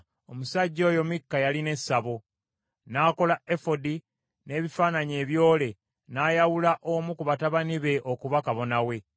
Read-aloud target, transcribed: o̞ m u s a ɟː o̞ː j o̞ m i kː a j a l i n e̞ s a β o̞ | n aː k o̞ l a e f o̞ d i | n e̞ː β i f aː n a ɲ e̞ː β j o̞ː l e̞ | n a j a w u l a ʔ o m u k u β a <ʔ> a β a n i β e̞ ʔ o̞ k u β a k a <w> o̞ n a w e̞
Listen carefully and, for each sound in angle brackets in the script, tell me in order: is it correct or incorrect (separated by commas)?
incorrect, incorrect